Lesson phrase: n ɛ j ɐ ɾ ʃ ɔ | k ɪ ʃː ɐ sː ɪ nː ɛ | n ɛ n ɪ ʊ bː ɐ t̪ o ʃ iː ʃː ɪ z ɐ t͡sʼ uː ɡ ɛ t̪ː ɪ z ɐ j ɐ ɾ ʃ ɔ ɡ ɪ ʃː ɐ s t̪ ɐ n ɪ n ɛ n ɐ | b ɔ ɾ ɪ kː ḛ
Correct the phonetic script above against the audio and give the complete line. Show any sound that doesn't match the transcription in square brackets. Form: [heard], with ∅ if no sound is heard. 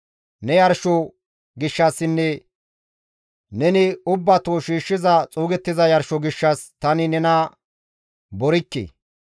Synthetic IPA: n ɛ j ɐ ɾ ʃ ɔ | [ɡ] ɪ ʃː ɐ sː ɪ nː ɛ | n ɛ n ɪ ʊ bː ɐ t̪ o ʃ iː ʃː ɪ z ɐ t͡sʼ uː ɡ ɛ t̪ː ɪ z ɐ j ɐ ɾ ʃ ɔ ɡ ɪ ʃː ɐ s t̪ ɐ n ɪ n ɛ n ɐ | b ɔ ɾ ɪ kː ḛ

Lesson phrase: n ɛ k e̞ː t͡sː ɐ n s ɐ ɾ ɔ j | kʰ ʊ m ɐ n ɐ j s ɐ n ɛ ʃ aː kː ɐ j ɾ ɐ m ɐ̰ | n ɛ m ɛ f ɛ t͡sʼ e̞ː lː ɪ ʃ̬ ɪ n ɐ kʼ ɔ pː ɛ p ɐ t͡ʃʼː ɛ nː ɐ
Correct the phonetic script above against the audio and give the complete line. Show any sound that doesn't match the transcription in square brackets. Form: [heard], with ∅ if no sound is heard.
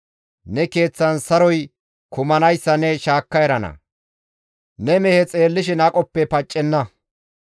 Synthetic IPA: n ɛ k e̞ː t͡sː ɐ n s ɐ ɾ ɔ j | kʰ ʊ m ɐ n ɐ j [sː] ɐ n ɛ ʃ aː kː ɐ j ɾ ɐ [n] ɐ̰ | n ɛ m ɛ [h] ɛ t͡sʼ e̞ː lː ɪ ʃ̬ ɪ n ɐ kʼ ɔ pː ɛ p ɐ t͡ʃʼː ɛ nː ɐ

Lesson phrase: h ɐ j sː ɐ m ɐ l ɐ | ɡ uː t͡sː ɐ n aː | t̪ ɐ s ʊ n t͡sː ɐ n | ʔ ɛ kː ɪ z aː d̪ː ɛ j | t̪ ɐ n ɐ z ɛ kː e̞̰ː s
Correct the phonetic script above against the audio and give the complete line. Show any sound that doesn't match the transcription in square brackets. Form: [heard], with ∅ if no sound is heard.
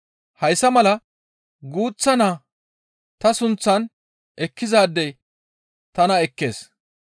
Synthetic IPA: h ɐ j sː ɐ m ɐ l ɐ | ɡ uː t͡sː ɐ n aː | t̪ ɐ s ʊ n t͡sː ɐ n | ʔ ɛ kː ɪ z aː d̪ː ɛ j | t̪ ɐ n ɐ [∅] ɛ kː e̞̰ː s

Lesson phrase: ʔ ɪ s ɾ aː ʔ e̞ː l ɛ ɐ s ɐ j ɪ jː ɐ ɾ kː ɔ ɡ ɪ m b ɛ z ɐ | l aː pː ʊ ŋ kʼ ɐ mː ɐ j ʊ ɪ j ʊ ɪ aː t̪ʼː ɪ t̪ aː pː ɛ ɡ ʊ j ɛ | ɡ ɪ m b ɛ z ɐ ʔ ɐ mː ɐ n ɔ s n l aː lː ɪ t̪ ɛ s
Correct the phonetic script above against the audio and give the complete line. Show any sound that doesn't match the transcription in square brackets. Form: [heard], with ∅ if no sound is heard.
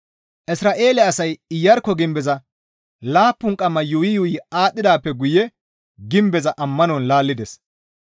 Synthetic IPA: ʔ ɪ s ɾ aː ʔ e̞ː l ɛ ɐ s ɐ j ɪ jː ɐ ɾ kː ɔ ɡ ɪ m b ɛ z ɐ | l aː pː ʊ ŋ kʼ ɐ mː ɐ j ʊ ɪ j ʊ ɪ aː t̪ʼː ɪ [d̪] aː pː ɛ ɡ ʊ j ɛ | ɡ ɪ m b ɛ z ɐ ʔ ɐ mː ɐ n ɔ [∅] n l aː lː ɪ [d̪] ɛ s

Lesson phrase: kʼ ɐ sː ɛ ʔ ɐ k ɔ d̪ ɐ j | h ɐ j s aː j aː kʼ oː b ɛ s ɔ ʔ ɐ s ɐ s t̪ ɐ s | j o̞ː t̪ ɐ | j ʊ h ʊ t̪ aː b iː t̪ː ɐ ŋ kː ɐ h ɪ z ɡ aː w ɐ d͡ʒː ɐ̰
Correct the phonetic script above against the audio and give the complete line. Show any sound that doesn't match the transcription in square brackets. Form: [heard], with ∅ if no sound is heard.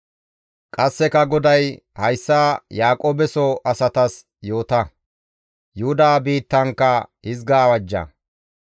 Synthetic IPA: kʼ ɐ sː ɛ [k] ɐ [ɡ] ɔ d̪ ɐ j | h ɐ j [sː] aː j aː kʼ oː b ɛ s ɔ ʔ ɐ s ɐ [∅] t̪ ɐ s | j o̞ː t̪ ɐ | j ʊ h ʊ [d̪] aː b iː t̪ː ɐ ŋ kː ɐ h ɪ z ɡ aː w ɐ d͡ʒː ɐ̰

